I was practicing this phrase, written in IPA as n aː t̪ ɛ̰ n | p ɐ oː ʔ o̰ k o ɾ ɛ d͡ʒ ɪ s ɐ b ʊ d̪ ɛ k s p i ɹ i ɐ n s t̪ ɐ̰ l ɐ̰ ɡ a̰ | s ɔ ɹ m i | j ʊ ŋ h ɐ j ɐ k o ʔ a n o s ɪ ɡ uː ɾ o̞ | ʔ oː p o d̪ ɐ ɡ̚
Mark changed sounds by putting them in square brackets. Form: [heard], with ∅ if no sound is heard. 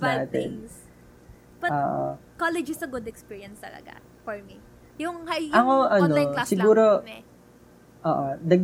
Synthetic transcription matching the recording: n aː t̪ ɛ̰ n | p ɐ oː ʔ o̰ k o [l] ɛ d͡ʒ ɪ s ɐ [ɡ] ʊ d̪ ɛ k s p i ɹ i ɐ n s t̪ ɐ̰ l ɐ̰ ɡ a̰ | [f] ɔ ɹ m i | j ʊ ŋ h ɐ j ɐ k o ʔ [ɐ] n o s ɪ ɡ uː ɾ o̞ | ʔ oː [ʔ] o d̪ ɐ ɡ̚